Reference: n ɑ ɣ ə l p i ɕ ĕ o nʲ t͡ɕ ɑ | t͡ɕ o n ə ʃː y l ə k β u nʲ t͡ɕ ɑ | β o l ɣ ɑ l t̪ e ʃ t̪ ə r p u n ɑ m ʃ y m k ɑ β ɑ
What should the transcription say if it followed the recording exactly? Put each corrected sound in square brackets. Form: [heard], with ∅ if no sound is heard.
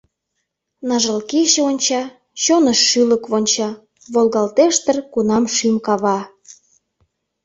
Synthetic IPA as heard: n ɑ [ʒ] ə l [k] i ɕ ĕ o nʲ t͡ɕ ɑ | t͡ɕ o n ə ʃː y l ə k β [o] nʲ t͡ɕ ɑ | β o l ɣ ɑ l t̪ e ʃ t̪ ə r [k] u n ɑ m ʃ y m k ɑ β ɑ

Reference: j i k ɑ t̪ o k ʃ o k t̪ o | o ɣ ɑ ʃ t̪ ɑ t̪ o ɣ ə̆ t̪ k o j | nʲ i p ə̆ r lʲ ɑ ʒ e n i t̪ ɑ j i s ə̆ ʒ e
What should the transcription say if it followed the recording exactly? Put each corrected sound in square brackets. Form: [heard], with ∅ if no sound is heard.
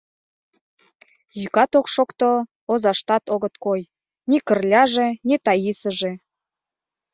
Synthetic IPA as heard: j [y] k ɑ t̪ o k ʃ o k t̪ o | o [z] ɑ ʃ t̪ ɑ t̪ o ɣ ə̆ t̪ k o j | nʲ i [k] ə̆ r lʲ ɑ ʒ e n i t̪ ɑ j i s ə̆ ʒ e

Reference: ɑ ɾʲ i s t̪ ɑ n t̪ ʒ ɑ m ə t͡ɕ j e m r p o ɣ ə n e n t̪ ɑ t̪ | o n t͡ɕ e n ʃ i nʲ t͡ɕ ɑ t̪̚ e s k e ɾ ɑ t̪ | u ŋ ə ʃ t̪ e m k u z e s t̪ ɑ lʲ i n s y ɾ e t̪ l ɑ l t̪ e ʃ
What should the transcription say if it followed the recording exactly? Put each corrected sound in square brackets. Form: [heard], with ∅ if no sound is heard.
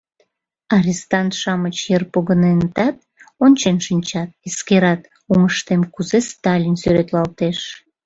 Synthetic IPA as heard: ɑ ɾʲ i s t̪ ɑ n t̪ [ʃ] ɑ m ə t͡ɕ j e [∅] r p o ɣ ə n e n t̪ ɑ t̪ | o n t͡ɕ e n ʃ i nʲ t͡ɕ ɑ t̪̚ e s k e ɾ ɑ t̪ | u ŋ ə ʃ t̪ e m k u z e s t̪ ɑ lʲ i n s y ɾ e t̪ l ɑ l t̪ e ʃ

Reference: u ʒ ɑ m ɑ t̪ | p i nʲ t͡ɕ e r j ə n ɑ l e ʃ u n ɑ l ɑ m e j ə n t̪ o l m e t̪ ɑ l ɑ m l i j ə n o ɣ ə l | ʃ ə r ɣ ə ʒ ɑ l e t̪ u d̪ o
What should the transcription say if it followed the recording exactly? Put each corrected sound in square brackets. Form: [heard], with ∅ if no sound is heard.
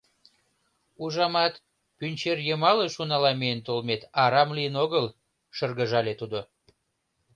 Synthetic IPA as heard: u ʒ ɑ m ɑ t̪ | p [y] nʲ t͡ɕ e r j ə [m] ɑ l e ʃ u n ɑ l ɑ m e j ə n t̪ o l m e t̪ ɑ [ɾ] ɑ m l i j ə n o ɣ ə l | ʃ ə r ɣ ə ʒ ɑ l e t̪ u d̪ o

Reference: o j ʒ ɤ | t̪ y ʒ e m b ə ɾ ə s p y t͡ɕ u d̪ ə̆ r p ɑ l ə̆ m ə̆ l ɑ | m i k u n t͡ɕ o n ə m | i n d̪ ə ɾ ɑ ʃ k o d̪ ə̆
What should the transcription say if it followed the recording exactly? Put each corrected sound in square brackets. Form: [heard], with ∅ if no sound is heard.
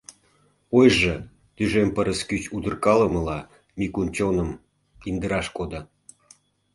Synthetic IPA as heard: o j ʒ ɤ | t̪ y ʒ e m [p] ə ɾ ə s [k] y t͡ɕ u d̪ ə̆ r [k] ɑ l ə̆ m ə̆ l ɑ | m i k u n t͡ɕ o n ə m | i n d̪ ə ɾ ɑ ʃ k o d̪ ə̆

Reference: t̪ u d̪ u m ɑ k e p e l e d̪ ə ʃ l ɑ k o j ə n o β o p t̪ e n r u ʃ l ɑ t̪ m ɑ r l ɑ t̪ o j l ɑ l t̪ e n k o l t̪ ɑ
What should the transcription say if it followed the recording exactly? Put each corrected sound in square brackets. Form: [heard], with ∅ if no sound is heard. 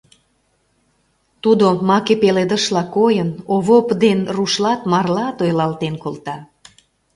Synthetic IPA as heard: t̪ u d̪ [o] m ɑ k e p e l e d̪ ə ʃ l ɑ k o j ə n o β o p [d̪] e n r u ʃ l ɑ t̪ m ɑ r l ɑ t̪ o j l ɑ l t̪ e n k o l t̪ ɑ

